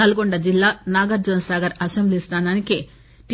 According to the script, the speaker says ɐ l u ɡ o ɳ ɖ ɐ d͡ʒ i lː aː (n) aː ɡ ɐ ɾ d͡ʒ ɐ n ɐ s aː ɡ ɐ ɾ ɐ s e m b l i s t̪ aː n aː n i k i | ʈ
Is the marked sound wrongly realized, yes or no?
no